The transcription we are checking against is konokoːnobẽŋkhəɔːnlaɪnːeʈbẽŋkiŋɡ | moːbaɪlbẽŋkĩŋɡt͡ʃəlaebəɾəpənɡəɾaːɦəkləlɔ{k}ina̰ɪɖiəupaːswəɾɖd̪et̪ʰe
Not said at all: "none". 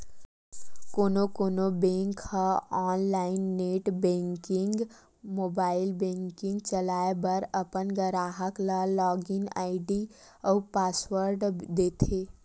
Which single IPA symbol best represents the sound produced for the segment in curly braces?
ɡ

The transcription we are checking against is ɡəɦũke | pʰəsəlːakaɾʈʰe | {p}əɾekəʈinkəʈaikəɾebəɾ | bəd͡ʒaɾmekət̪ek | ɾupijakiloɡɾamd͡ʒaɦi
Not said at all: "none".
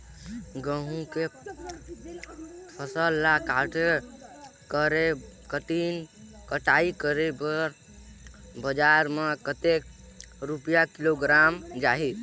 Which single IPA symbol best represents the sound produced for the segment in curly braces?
k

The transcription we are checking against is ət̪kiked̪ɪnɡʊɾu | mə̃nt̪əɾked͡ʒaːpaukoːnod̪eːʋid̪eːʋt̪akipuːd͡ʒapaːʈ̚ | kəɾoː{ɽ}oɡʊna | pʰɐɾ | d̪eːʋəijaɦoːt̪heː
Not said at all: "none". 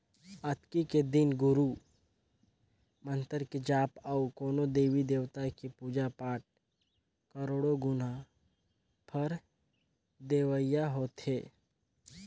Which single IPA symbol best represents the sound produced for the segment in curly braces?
ɽ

